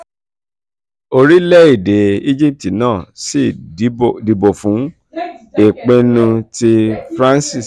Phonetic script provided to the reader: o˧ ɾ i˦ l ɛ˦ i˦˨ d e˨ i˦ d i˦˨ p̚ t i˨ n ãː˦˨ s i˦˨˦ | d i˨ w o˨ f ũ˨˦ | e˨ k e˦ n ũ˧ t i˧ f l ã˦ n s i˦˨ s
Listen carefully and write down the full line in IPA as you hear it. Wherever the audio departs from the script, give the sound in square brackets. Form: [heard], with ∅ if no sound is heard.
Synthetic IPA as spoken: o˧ ɾ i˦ l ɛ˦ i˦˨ d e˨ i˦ [d͡ʒ] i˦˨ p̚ t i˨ n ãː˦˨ s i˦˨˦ | d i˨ [b] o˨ f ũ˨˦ | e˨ [k͡p] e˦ n ũ˧ t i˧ f [ɾ] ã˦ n s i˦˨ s